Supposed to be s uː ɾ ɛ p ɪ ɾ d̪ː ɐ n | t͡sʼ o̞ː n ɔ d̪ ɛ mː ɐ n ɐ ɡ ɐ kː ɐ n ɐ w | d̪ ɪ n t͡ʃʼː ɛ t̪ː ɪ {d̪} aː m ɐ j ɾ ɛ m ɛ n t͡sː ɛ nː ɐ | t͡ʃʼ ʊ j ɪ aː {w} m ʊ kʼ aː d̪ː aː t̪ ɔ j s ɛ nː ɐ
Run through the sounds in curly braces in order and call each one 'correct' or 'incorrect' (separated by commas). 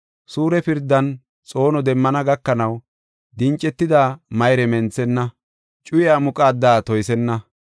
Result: correct, incorrect